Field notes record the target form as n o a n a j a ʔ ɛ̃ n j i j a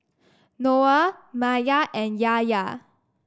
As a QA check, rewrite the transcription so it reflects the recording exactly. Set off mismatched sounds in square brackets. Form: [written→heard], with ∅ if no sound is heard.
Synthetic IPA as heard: n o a [n→m] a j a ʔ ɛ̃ n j [i→a] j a